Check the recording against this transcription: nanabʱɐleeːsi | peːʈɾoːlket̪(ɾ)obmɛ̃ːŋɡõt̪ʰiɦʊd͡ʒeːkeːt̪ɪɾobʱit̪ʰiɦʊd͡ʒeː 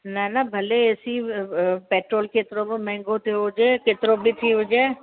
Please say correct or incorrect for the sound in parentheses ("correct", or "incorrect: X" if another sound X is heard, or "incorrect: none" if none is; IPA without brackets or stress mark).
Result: correct